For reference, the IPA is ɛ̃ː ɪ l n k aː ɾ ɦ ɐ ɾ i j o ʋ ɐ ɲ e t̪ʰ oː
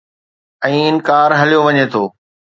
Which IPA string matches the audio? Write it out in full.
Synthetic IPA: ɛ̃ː ɪ n k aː ɾ ɦ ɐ l i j o ʋ ɐ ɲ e t̪ʰ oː

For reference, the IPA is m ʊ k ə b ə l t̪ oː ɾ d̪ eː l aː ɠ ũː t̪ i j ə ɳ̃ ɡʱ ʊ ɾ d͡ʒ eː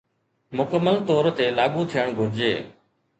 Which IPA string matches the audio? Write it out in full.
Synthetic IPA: m ʊ k ə m ə l t̪ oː ɾ t̪ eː l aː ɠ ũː t̪ʰ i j ə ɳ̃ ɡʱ ʊ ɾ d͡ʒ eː

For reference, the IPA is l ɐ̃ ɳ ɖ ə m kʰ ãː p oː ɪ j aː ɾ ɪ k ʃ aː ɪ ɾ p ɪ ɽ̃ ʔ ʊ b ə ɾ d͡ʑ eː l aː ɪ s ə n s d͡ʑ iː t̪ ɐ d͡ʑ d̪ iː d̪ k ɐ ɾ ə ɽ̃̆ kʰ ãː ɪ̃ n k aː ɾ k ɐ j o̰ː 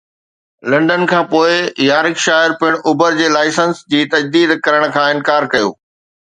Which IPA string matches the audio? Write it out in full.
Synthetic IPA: l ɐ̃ ɳ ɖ ə n kʰ ãː p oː ɪ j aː ɾ ɪ k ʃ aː ɪ ɾ p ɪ ɽ̃ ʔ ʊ b ə ɾ d͡ʑ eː l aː ɪ s ə n s d͡ʑ iː t̪ ɐ d͡ʑ d̪ iː d̪ k ɐ ɾ ə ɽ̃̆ kʰ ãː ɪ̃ n k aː ɾ k ɐ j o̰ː

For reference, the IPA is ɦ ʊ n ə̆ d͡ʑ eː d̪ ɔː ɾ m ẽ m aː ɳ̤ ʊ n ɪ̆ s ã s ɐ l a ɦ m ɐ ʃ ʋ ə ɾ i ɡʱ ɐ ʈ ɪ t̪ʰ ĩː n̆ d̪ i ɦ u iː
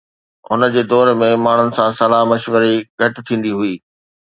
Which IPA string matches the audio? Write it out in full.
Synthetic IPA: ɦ ʊ n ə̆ d͡ʑ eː d̪ ɔː ɾ m ẽ m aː ɳ̤ ʊ n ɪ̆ s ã s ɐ l a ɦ m ɐ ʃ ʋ ə ɾ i ɡʱ ɐ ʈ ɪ t̪ʰ ĩː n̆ d̪ i ɦ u iː

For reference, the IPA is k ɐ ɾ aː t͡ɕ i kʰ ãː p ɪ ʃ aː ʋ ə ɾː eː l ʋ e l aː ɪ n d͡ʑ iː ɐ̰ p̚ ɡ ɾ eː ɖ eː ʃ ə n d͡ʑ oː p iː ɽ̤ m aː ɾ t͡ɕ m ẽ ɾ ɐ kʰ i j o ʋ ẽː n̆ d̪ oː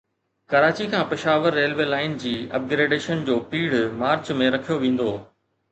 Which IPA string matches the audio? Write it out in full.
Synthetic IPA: k ɐ ɾ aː t͡ɕ i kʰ ãː p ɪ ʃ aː ʋ ə ɾː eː l ʋ e l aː ɪ n d͡ʑ iː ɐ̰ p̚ ɡ ɾ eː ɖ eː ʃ ə n d͡ʑ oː p iː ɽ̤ m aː ɾ t͡ɕ m ẽ ɾ ɐ kʰ i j o ʋ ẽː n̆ d̪ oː

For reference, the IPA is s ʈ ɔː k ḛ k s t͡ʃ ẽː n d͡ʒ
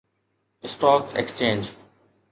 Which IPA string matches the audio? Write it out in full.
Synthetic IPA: s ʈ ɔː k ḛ k s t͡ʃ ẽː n d͡ʒ

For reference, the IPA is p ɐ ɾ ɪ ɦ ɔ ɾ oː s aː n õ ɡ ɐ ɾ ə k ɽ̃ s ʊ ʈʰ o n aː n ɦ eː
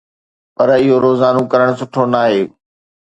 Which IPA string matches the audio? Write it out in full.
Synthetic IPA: p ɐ ɾ ɪ ɦ o ɾ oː z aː n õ k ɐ ɾ ə ɽ̃ s ʊ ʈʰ o n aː ɦ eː

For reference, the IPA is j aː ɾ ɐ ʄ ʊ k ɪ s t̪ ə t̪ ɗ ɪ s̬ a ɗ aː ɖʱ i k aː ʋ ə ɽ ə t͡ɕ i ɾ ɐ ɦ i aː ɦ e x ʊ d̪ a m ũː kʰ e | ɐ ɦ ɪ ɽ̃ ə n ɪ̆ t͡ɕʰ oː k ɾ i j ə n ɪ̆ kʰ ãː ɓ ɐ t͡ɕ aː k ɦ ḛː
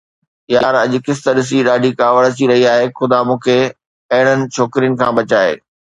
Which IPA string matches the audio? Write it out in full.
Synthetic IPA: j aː ɾ ɐ ʄ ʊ k ɪ s t̪ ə ɗ ɪ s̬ i ɗ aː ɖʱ i k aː ʋ ə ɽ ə t͡ɕ i ɾ ɐ ɦ i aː ɦ e x ʊ d̪ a m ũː kʰ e | ɐ ɦ ɪ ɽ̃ ə n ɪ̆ t͡ɕʰ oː k ɾ i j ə n ɪ̆ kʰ ãː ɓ ɐ t͡ɕ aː ɦ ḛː

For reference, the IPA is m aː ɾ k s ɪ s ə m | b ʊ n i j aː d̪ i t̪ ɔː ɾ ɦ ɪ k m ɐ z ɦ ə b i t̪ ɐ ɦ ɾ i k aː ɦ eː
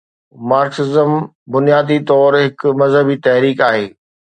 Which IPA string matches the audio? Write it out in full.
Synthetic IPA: m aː ɾ k s ɪ z ə m | b ʊ n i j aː d̪ i t̪ ɔː ɾ ɦ ɪ k m ɐ z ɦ ə b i t̪ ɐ ɦ ɾ iː k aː ɦ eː

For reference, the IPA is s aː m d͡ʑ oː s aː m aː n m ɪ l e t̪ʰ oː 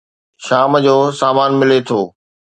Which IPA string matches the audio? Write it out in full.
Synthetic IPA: ʃ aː m d͡ʑ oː s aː m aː n m ɪ l e t̪ʰ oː

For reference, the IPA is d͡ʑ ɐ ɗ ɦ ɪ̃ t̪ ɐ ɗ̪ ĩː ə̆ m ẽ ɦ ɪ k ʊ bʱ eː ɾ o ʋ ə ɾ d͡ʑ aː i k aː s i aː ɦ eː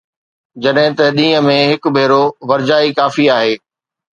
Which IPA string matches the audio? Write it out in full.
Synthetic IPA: d͡ʑ ɐ ɗ ɦ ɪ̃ t̪ ɐ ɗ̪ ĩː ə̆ m ẽ ɦ ɪ k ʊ bʱ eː ɾ o ʋ ɐ ɾ d͡ʑ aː i k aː f i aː ɦ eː

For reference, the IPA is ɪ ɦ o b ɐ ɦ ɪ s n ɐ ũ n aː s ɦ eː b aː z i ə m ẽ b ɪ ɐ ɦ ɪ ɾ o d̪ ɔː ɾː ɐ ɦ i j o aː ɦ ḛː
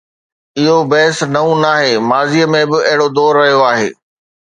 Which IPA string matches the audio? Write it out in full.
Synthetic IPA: ɪ ɦ o b ɐ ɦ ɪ s n ɐ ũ n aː ɦ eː m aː z i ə m ẽ b ɪ ɐ ɦ ɪ ɽ o d̪ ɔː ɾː ɐ ɦ i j o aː ɦ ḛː

